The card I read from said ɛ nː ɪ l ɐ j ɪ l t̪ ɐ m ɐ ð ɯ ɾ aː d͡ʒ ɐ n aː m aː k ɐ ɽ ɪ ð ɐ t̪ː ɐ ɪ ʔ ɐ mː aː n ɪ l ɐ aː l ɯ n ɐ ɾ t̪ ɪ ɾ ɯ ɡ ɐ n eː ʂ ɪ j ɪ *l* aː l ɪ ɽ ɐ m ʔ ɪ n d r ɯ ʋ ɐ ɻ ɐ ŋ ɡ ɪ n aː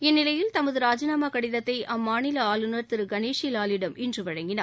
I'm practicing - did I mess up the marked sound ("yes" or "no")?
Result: no